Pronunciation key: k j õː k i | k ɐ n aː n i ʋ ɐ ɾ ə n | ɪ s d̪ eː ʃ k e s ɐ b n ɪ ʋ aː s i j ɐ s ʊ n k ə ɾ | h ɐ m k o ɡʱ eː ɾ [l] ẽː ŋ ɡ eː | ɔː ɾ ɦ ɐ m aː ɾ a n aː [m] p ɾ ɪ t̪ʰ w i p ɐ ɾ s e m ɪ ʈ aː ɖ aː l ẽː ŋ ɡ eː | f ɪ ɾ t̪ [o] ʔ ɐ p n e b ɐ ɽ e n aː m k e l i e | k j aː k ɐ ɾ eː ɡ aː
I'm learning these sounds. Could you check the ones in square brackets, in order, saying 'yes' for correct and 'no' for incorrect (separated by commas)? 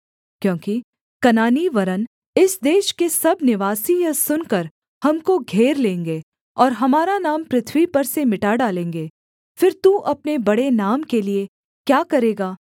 yes, yes, no